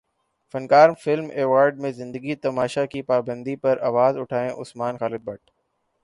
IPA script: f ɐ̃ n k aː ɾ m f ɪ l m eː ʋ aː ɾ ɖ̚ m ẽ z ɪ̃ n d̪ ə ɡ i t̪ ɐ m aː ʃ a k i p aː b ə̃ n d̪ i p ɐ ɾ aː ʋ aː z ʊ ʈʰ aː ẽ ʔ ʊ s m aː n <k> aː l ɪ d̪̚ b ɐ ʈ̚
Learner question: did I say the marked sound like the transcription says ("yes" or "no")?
no